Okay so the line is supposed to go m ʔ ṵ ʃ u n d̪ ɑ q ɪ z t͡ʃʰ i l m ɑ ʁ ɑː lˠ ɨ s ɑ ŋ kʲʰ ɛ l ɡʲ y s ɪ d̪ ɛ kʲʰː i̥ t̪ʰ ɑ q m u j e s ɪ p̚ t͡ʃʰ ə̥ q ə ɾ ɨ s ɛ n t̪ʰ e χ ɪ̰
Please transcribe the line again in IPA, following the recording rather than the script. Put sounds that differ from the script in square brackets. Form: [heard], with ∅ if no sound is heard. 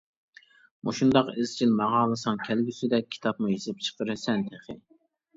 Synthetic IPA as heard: m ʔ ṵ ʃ u n d̪ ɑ q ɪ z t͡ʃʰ i l m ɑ ʁ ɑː lˠ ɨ s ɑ ŋ kʲʰ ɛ l ɡʲ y s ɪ d̪ ɛ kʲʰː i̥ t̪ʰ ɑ [p] m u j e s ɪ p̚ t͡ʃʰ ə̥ q ə ɾ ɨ s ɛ n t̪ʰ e χ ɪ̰